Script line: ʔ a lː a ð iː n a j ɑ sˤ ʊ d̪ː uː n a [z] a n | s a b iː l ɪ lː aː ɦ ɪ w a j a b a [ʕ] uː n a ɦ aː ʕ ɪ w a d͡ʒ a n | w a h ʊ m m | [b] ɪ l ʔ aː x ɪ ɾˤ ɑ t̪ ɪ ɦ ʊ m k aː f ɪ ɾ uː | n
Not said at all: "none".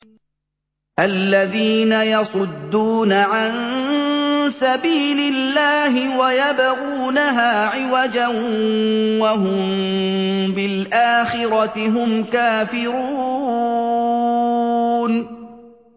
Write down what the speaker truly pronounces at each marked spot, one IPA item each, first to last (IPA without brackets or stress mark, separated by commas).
ʕ, ɣ, b